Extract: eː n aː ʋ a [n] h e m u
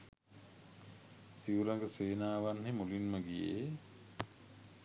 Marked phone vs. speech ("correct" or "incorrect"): correct